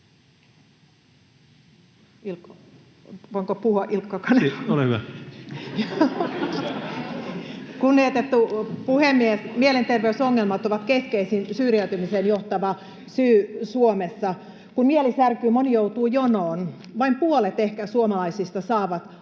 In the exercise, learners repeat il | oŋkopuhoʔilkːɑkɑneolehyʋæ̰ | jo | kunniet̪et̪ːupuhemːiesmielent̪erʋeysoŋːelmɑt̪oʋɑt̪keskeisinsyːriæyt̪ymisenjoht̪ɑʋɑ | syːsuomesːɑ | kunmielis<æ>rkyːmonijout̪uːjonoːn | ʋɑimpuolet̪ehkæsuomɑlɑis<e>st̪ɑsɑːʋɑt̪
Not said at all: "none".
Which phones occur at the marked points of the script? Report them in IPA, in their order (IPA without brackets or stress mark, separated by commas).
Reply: æ, i